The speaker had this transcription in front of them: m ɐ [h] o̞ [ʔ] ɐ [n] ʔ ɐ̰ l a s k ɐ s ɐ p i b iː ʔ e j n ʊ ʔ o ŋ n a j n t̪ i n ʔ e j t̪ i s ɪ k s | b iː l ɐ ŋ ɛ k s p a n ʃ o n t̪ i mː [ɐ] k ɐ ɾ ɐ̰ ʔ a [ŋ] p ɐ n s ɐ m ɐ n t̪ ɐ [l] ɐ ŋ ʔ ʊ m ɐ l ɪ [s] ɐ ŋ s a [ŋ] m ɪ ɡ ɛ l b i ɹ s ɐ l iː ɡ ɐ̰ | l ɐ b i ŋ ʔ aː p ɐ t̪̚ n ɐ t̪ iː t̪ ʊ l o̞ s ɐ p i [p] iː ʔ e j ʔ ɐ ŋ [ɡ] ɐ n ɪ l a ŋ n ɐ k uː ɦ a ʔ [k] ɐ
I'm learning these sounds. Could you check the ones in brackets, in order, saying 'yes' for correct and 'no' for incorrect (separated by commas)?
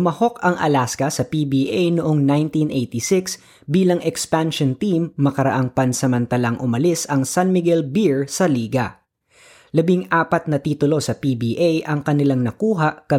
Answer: yes, no, no, yes, yes, yes, yes, no, no, no, yes